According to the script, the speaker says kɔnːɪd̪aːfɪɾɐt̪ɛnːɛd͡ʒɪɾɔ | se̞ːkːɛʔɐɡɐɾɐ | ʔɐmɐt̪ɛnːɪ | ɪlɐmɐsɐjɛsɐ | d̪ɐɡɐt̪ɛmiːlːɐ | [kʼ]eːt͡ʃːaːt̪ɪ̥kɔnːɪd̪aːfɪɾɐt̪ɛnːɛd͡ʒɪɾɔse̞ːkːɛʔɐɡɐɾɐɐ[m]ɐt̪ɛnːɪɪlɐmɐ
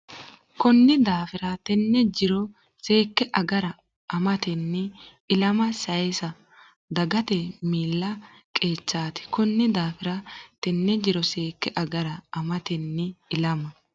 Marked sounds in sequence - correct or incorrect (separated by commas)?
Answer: correct, correct